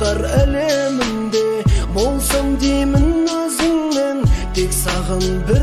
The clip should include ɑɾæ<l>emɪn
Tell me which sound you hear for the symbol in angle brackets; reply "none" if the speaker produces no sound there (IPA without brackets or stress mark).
l